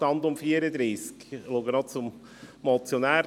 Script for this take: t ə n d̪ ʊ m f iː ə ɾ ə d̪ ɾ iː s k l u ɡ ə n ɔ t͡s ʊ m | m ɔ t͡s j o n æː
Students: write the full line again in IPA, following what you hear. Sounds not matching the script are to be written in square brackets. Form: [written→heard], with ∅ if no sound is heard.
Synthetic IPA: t [ə→ɑ] n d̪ ʊ m f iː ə ɾ ə d̪ ɾ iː s k l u ɡ ə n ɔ t͡s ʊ m | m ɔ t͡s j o n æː